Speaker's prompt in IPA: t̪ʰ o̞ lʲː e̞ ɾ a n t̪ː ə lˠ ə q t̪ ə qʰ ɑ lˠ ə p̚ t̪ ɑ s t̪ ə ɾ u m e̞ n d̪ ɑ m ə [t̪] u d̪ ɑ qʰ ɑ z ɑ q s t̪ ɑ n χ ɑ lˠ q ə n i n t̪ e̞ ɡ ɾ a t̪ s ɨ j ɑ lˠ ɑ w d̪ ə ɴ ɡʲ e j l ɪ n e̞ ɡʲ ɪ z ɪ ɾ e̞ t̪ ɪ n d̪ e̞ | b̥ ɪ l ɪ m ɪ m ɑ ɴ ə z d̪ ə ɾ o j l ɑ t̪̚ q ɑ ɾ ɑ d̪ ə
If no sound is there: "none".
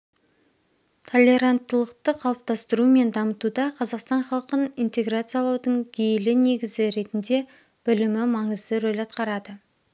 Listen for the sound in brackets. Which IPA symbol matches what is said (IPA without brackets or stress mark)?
t̪